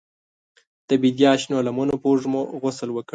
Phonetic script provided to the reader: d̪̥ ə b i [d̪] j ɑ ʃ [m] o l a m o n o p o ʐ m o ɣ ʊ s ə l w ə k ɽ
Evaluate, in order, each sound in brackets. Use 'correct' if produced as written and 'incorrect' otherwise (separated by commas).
correct, incorrect